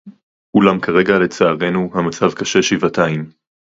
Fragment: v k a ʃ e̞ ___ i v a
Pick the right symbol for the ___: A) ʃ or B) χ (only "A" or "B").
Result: A